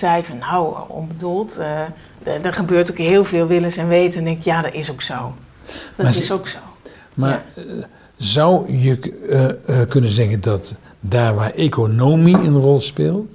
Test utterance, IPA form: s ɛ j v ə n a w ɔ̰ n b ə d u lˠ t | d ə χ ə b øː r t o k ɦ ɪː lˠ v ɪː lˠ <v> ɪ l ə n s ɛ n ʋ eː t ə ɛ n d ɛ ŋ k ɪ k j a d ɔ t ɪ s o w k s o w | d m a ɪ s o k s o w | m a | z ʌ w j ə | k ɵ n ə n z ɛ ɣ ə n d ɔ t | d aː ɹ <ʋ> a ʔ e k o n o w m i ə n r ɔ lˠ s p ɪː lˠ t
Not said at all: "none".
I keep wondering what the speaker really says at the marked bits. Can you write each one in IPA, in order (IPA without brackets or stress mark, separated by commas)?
ʋ, ʋ